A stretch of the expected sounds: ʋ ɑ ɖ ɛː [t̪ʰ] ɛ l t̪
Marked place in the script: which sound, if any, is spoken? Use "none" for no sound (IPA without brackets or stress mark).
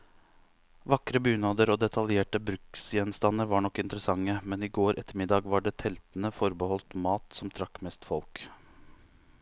t̪ʰ